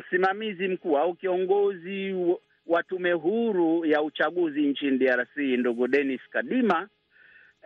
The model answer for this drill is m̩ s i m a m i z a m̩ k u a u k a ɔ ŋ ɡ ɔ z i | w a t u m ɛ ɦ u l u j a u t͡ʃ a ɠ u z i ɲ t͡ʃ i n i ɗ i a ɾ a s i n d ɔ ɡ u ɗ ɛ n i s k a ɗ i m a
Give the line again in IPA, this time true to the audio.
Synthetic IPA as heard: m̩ s i m a m i z i m̩ k u a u k i ɔ ŋ ɡ ɔ z i | w a t u m ɛ ɦ u ɾ u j a u t͡ʃ a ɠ u z i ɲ t͡ʃ i n i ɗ i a ɾ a s i n d u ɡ u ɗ ɛ n i s k a ɗ i m a